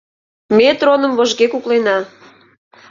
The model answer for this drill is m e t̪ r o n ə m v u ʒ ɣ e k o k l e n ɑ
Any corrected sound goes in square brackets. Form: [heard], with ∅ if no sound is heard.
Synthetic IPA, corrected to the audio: m e t̪ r o n ə m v [o] ʒ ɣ e k [u] k l e n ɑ

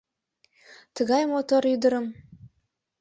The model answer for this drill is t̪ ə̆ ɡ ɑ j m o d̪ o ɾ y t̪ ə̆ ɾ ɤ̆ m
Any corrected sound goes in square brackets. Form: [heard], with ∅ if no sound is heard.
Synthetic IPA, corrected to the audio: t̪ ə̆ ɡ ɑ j m o [t̪] o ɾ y [d̪] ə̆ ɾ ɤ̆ m

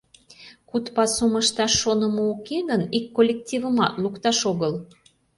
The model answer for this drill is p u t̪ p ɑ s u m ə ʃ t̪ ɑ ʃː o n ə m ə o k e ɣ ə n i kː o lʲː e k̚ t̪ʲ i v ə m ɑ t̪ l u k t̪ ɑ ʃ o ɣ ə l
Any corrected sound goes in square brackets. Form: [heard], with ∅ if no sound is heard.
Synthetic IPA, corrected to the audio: [k] u t̪ p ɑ s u m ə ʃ t̪ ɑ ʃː o n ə m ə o k e ɣ ə n i kː o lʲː e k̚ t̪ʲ i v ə m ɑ t̪ l u k t̪ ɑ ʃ o ɣ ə l

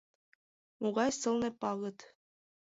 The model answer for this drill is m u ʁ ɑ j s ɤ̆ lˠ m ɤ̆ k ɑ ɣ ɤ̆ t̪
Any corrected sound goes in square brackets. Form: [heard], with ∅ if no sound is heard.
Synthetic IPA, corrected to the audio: m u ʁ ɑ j s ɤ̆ lˠ [n] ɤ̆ [p] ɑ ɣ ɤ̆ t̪

